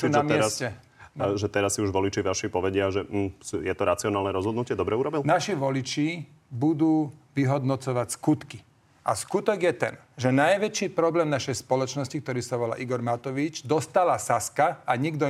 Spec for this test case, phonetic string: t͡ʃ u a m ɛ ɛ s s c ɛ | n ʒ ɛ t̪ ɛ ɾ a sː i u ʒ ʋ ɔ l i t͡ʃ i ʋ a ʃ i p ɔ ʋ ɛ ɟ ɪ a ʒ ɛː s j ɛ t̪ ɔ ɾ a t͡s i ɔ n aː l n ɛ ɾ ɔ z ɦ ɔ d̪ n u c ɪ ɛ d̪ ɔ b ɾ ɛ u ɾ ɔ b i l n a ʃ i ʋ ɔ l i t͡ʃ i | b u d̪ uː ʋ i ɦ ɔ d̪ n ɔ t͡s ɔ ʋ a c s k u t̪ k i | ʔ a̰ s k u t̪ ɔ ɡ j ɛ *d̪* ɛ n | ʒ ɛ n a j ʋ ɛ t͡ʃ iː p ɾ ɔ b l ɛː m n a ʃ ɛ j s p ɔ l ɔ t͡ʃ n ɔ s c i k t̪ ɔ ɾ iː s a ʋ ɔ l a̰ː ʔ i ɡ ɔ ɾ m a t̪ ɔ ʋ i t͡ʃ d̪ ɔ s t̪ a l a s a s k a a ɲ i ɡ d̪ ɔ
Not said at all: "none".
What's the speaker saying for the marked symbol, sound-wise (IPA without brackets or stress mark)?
t̪